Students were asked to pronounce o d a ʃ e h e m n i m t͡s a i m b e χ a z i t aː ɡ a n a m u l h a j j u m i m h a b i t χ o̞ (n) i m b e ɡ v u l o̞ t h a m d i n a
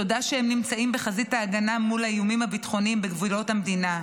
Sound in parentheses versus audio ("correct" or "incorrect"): correct